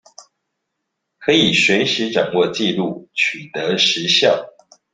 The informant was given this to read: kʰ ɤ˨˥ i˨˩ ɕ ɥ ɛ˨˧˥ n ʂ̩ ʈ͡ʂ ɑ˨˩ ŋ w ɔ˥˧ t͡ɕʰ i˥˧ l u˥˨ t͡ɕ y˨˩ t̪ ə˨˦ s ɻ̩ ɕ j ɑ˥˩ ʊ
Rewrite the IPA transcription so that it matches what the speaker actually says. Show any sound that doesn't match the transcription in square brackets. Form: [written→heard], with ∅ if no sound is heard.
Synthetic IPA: kʰ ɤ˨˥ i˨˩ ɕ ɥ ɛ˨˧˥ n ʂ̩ ʈ͡ʂ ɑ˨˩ ŋ w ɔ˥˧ [t͡ɕʰ→t͡ɕ] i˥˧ l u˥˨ [t͡ɕ→t͡ɕʰ] y˨˩ t̪ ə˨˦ [s→ʂ] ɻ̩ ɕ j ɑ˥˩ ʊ